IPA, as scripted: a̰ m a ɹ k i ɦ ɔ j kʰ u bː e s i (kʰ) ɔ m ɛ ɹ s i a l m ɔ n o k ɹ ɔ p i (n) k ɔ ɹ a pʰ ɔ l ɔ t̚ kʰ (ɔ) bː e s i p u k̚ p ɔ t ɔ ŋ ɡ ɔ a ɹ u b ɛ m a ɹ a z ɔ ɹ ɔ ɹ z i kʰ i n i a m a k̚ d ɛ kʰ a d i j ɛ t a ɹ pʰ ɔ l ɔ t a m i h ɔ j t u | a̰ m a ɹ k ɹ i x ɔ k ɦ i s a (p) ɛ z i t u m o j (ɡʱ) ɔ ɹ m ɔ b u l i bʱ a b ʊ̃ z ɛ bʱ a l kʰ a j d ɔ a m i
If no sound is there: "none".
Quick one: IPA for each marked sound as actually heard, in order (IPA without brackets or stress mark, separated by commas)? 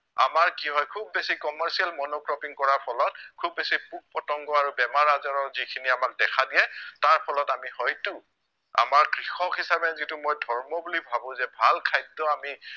k, ŋ, u, b, dʱ